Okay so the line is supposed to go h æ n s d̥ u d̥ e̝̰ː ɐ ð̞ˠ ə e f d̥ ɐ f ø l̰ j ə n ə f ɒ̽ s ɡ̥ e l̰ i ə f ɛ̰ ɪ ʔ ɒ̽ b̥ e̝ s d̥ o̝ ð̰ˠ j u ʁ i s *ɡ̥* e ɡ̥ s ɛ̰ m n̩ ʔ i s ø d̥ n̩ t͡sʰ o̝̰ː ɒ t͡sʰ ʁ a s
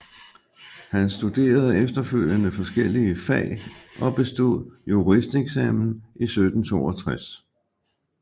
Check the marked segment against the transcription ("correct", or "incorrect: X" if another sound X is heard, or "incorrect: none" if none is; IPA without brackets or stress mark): incorrect: d̥